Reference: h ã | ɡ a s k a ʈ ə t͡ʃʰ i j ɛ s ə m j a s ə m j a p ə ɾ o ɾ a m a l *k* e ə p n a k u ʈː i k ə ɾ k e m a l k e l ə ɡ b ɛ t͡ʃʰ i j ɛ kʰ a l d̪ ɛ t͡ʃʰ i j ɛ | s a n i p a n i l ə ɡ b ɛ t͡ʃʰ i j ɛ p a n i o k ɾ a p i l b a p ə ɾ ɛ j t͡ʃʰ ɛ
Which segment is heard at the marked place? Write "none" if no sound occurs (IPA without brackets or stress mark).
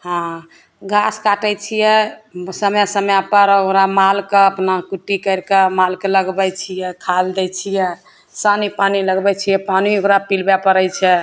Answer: k